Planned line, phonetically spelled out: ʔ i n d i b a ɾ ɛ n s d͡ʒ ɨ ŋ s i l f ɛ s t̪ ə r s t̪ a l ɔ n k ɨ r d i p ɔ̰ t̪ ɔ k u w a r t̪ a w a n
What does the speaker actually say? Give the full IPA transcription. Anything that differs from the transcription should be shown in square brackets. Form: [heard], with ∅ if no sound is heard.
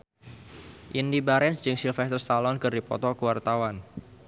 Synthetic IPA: ʔ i n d i b a ɾ ɛ n s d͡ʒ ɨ ŋ s i l f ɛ s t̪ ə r s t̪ a l ɔ n k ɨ r d i p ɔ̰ t̪ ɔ k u w a r t̪ a w a n